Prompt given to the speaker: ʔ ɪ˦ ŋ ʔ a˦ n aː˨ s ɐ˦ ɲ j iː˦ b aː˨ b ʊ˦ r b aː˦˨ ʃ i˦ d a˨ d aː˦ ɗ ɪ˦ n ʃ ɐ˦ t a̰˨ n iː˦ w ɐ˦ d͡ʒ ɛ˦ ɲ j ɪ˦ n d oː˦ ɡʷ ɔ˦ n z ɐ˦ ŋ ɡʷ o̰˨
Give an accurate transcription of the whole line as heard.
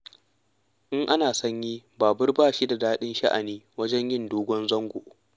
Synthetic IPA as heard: ʔ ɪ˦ ŋ ʔ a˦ n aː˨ s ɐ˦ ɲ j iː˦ b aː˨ b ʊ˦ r b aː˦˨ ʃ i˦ d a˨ d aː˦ ɗ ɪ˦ n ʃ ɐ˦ ʔ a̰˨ n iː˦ w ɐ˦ d͡ʒ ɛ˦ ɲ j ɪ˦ n d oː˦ ɡʷ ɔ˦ n z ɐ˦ ŋ ɡʷ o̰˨